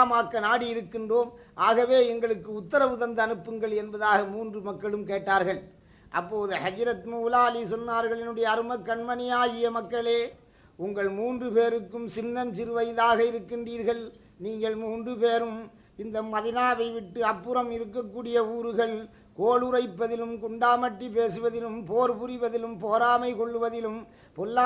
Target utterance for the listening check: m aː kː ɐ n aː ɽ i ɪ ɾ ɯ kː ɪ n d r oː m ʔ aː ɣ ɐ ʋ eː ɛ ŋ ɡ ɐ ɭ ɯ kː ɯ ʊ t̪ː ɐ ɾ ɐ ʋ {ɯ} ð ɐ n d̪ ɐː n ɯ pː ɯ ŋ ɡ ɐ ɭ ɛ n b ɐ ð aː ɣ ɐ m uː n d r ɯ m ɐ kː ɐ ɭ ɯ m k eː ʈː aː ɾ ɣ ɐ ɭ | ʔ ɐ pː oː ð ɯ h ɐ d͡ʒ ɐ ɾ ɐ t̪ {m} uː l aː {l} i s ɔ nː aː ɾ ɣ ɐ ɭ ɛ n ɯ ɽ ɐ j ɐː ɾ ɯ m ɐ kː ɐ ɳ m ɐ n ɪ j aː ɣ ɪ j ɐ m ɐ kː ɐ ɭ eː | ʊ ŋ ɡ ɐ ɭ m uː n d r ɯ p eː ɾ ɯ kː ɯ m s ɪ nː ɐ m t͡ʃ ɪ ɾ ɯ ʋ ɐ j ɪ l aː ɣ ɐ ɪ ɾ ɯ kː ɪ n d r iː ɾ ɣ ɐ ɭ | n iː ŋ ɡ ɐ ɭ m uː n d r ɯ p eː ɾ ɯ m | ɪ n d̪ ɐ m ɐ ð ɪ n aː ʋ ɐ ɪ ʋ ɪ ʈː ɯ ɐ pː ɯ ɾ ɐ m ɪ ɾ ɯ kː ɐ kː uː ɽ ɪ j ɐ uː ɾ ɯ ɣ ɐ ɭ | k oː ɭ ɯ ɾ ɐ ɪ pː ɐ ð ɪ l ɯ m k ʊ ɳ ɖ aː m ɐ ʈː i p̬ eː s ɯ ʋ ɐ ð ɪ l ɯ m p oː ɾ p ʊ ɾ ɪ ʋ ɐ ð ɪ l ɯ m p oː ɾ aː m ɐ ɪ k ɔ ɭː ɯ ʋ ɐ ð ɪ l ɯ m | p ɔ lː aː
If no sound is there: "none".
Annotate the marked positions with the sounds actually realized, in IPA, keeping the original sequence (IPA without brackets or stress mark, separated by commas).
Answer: ɯ, m, l